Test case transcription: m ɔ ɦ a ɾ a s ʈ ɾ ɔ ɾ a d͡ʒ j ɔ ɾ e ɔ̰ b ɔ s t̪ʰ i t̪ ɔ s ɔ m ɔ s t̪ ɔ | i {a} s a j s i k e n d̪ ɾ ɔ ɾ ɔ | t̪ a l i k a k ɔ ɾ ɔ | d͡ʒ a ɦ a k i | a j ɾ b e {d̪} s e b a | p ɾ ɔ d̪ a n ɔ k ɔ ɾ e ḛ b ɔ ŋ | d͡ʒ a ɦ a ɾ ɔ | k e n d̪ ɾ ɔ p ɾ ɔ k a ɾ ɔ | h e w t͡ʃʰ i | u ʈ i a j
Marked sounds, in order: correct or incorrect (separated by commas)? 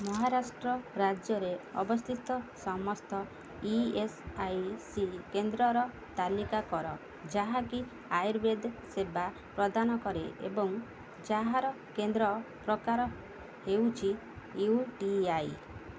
incorrect, correct